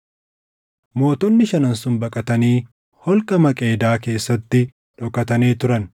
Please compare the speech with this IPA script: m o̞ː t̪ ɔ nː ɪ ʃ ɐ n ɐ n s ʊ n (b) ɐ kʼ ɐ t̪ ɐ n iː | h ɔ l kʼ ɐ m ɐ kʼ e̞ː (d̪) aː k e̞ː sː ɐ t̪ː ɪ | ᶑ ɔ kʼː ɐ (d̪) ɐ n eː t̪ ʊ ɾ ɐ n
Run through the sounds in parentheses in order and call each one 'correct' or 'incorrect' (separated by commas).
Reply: correct, correct, incorrect